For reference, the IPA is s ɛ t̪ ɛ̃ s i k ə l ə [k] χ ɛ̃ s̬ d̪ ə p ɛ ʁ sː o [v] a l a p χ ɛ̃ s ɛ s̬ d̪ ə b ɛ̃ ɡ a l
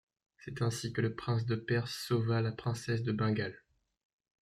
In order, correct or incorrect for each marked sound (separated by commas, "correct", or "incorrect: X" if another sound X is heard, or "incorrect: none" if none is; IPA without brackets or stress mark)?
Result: incorrect: p, correct